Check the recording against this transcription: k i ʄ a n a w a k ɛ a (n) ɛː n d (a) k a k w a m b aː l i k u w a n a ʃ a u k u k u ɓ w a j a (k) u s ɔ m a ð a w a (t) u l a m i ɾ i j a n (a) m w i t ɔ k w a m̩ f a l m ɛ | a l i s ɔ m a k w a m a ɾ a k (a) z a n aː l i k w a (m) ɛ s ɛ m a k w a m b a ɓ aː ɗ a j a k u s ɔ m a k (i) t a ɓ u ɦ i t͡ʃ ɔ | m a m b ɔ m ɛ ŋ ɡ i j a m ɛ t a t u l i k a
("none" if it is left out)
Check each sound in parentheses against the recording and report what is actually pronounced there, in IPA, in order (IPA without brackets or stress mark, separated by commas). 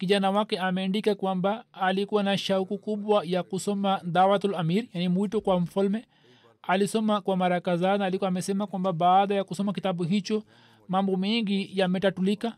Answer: m, i, k, t, i, a, m, i